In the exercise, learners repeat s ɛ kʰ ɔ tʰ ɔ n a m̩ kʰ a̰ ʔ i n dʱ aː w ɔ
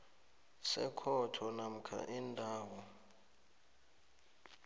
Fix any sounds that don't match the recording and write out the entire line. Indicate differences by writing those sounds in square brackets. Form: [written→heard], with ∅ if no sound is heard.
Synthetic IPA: s ɛ kʰ ɔ tʰ ɔ n a m̩ kʰ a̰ ʔ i n dʱ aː w ɔ